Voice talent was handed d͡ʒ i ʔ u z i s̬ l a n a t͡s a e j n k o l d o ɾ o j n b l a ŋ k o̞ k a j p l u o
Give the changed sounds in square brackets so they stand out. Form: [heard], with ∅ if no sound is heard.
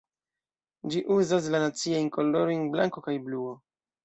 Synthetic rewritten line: d͡ʒ i ʔ u z [a] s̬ l a n a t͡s [i] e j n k o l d o ɾ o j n b l a ŋ k o̞ k a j [b] l u o